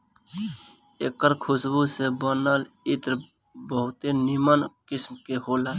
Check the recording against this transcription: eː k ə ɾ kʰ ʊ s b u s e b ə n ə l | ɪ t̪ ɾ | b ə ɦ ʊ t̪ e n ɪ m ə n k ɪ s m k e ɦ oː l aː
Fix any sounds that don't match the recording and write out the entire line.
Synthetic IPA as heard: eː k ə ɾ kʰ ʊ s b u s e b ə n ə l | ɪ t̪ ɾ | b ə ɦ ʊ t̪ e n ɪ m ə n k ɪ s m k e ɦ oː l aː